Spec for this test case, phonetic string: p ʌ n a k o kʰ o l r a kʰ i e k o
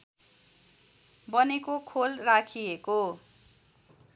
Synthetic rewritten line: b ʌ n e k o kʰ o l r a kʰ i e k o